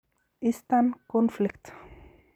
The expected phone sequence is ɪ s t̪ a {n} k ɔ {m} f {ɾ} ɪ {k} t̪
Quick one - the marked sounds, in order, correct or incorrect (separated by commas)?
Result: correct, incorrect, incorrect, correct